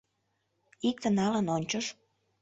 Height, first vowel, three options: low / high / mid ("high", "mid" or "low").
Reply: high